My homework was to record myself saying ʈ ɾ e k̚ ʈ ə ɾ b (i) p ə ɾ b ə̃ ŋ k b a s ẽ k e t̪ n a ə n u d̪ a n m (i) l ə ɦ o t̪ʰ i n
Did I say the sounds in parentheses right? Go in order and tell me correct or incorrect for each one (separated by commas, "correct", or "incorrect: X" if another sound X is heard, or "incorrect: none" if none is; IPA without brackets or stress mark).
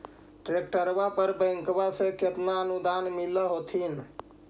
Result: incorrect: a, correct